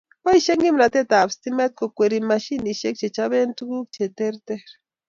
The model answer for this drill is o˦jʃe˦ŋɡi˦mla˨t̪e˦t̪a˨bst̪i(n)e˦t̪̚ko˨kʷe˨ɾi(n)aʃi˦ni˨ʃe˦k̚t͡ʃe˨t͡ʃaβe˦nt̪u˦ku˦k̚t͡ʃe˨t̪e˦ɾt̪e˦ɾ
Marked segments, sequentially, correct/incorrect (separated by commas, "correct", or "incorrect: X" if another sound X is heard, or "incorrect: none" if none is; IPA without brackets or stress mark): incorrect: m, incorrect: m